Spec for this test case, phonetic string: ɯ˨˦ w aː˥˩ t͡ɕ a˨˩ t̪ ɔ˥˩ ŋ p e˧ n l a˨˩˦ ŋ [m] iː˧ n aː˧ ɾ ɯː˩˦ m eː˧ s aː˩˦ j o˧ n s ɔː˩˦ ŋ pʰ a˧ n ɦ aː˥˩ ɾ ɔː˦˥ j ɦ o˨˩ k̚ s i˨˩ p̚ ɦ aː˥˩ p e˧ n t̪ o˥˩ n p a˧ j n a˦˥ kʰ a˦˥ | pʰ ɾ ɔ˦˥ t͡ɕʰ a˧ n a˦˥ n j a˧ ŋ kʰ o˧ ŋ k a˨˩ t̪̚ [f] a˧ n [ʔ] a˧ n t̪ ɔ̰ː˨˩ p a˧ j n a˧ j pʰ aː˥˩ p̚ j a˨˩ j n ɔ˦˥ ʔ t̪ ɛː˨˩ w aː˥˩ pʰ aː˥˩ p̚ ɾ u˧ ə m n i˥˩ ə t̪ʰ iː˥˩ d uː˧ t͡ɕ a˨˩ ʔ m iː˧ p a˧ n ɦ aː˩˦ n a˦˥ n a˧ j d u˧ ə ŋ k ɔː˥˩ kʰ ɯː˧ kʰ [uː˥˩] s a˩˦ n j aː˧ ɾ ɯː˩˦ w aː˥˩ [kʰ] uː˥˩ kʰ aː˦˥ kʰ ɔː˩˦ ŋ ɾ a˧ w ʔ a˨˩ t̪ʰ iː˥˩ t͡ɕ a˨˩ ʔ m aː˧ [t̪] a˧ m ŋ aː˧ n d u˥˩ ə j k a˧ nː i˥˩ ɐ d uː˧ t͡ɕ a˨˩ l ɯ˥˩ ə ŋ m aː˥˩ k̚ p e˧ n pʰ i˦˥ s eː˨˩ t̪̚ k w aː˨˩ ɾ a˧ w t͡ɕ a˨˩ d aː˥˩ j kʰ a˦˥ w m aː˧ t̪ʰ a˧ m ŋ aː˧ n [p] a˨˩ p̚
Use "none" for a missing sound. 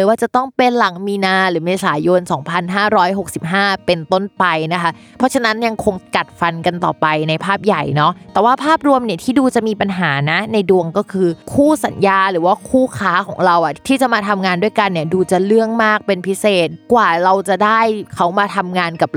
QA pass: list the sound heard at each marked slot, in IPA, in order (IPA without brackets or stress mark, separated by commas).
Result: m, f, k, uː˥˩, kʰ, t̪ʰ, k